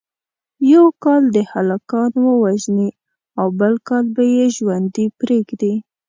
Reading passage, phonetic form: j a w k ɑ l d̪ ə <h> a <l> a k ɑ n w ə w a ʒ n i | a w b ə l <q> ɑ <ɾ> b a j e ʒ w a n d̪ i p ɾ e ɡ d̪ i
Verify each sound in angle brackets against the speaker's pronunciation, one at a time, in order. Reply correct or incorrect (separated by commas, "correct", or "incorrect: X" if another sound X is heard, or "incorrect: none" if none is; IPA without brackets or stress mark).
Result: correct, correct, incorrect: k, incorrect: l